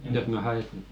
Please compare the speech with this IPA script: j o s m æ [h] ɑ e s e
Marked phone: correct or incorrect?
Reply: correct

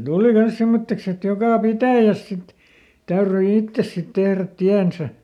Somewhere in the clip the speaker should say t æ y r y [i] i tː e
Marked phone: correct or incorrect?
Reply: correct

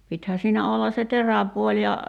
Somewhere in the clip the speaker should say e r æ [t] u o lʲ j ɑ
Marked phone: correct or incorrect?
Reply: incorrect: p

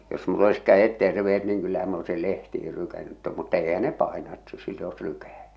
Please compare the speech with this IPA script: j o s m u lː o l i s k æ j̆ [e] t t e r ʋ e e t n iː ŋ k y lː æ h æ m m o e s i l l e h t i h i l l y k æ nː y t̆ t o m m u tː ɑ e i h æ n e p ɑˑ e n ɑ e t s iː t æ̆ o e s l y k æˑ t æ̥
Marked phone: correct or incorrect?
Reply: correct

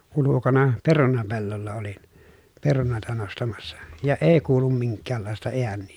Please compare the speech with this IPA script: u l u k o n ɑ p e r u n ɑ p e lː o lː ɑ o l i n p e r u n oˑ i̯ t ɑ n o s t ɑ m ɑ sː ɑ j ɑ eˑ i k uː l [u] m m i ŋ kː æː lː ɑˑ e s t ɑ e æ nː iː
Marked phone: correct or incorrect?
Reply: correct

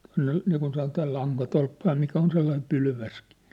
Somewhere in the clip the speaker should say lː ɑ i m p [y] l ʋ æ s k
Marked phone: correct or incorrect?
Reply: correct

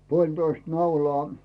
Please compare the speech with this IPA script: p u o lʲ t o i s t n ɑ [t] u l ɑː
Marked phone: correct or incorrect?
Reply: incorrect: none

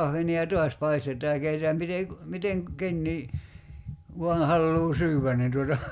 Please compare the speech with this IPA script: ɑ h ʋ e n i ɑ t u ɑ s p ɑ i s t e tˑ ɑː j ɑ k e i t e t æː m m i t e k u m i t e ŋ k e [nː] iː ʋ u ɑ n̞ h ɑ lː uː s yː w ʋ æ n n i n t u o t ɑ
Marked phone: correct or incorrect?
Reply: correct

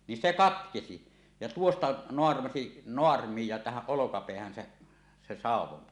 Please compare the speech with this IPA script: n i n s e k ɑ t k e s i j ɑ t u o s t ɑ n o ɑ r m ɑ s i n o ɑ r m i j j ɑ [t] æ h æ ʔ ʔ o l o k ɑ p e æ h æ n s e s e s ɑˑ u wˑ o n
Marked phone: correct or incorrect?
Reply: correct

